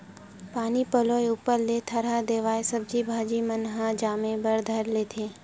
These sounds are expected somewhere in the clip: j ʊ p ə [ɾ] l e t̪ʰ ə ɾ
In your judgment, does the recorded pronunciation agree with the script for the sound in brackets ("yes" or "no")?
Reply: yes